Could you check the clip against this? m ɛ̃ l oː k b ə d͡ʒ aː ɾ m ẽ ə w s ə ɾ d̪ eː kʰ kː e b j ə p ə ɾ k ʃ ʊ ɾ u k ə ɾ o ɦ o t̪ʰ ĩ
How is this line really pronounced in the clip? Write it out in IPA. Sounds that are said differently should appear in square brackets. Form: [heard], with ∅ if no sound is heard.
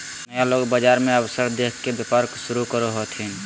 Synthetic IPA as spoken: m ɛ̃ l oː [ɡ] b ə d͡ʒ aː ɾ m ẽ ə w s ə ɾ d̪ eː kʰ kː e b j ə p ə ɾ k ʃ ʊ ɾ u k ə ɾ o ɦ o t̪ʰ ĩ